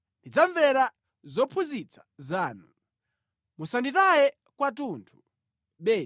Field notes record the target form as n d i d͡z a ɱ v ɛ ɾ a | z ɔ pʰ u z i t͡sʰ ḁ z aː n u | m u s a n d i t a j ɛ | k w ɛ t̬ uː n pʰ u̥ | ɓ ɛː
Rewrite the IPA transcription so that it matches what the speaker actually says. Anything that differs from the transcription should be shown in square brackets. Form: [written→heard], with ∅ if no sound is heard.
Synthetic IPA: n d i d͡z a ɱ v ɛ ɾ a | z ɔ pʰ u z i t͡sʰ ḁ z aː n u | m u s a n d i t a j ɛ | k w [ɛ→a] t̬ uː n [pʰ→tʰ] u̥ | ɓ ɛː